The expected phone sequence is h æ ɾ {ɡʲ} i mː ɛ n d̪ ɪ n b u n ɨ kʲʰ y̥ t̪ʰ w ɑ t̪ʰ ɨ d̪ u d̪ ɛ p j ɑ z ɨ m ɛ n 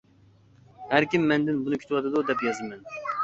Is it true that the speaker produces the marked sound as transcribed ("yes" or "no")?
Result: no